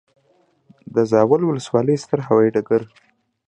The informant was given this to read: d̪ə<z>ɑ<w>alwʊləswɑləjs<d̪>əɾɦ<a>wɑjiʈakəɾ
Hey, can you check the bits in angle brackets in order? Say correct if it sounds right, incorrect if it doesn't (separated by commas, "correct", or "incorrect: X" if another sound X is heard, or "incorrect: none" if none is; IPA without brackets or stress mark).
correct, correct, incorrect: t̪, correct